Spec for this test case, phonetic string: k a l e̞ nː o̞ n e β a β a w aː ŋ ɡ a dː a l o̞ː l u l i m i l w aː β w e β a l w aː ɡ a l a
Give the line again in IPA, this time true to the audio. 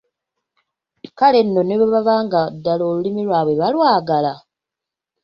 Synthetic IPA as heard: k a l e̞ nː o̞ n e β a β a β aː ŋ ɡ a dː a l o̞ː l u l i m i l w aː β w e β a l w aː ɡ a l a